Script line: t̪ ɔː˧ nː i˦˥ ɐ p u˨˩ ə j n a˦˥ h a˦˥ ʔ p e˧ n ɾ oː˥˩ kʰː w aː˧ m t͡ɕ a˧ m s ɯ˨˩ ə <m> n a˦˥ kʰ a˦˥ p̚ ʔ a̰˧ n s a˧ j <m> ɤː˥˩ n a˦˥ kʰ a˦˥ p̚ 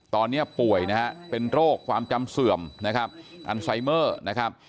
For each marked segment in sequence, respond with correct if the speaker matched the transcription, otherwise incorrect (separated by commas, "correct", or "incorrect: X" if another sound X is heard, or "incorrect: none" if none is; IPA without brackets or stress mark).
correct, correct